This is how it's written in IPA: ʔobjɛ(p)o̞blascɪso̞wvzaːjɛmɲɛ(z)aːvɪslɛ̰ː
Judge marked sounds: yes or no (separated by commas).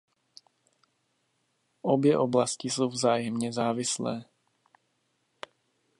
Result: no, yes